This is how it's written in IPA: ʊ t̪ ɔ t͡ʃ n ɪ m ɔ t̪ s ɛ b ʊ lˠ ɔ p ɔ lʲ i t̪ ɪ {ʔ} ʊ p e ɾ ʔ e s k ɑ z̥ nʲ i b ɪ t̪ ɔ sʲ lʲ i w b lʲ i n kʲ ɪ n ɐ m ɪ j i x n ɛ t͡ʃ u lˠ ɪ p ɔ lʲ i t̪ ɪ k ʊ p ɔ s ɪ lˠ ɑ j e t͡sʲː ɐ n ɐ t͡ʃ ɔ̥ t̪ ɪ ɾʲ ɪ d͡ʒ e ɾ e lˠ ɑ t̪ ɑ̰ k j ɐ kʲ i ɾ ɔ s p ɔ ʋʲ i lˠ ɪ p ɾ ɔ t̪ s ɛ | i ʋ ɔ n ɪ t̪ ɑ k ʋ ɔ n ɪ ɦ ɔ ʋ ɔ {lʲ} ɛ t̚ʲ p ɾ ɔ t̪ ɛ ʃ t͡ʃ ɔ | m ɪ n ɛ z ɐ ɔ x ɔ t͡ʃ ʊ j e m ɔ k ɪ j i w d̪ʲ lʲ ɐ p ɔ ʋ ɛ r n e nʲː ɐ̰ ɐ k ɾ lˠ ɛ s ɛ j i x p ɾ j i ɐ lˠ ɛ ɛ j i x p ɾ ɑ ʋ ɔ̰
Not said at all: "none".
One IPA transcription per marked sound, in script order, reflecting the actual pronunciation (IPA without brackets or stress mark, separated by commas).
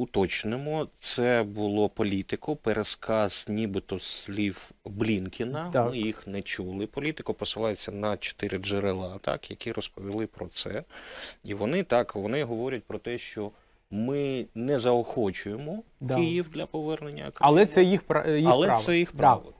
k, ɾʲ